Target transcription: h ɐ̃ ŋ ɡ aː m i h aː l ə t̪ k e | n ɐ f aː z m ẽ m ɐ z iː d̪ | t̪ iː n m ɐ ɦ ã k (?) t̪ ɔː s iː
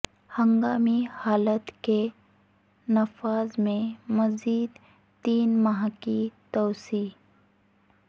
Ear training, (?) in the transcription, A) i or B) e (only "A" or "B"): A